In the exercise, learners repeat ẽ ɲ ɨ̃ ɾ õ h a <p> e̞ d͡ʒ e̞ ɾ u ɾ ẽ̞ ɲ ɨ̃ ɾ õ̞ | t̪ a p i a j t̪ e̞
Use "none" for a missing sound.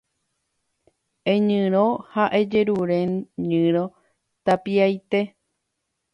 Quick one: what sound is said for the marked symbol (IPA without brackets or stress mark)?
ʔ